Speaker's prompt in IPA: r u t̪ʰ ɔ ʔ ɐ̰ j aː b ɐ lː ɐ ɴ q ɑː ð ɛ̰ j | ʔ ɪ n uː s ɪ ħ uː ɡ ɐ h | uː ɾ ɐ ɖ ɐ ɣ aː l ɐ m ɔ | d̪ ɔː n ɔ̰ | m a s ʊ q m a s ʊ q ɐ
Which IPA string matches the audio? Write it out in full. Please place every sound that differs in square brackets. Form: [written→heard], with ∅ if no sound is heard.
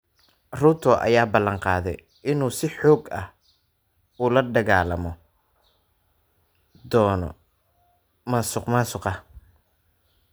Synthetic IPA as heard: r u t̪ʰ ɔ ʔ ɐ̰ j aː b ɐ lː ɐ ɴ q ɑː ð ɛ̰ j | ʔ ɪ n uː s ɪ ħ [uː→ɔː] ɡ ɐ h | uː [ɾ→l] ɐ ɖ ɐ ɣ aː l ɐ m ɔ | d̪ ɔː n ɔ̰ | m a s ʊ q m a s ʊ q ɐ